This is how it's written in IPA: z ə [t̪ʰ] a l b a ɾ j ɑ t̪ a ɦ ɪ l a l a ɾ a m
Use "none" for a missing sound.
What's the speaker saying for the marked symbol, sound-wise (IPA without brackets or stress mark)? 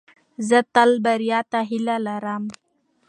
t̪